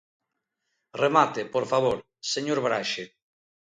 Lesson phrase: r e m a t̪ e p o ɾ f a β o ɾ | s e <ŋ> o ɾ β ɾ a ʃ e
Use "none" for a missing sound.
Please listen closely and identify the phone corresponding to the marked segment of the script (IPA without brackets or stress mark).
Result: ɲ